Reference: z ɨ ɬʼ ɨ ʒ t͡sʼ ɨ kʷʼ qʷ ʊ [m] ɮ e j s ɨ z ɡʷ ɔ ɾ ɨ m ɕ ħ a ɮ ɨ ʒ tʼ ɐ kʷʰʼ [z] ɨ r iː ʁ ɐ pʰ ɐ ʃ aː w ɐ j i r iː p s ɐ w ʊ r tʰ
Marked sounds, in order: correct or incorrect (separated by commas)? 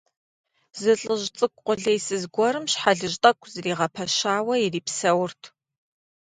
incorrect, correct